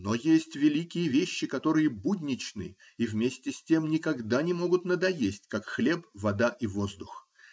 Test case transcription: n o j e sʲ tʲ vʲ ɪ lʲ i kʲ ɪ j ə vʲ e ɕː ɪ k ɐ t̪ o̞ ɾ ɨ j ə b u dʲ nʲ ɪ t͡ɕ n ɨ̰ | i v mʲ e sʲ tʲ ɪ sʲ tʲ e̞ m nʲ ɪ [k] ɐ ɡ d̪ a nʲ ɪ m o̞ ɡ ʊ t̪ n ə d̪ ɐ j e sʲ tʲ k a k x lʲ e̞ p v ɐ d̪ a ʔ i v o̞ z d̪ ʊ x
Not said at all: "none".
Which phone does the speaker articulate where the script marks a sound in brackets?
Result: k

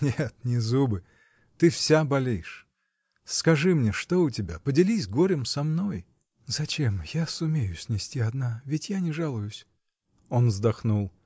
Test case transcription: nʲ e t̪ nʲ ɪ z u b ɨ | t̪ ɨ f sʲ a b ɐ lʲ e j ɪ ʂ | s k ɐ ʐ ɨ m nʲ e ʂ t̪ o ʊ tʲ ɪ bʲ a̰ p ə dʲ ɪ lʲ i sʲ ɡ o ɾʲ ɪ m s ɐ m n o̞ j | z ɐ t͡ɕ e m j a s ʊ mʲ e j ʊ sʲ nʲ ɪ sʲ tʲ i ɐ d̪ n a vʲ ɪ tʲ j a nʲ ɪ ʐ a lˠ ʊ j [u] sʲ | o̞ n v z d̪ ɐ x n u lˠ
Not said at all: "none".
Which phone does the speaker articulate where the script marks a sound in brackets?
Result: ʊ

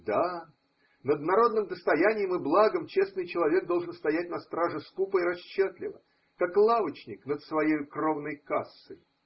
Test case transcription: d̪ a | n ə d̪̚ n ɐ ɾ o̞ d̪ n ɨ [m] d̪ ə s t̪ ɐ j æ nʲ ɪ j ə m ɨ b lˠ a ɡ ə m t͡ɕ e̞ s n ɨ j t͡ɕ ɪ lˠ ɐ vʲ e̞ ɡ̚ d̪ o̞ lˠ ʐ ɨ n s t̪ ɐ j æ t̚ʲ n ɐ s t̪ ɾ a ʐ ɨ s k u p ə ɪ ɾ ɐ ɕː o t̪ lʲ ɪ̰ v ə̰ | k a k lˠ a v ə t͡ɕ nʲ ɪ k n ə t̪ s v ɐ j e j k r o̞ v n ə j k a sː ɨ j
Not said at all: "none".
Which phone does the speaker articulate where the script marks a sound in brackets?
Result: m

